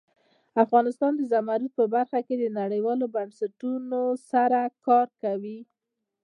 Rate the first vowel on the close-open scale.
open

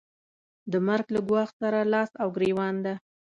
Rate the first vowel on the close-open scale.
mid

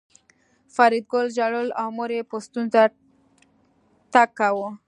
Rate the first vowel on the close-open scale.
open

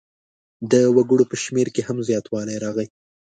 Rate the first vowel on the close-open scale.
mid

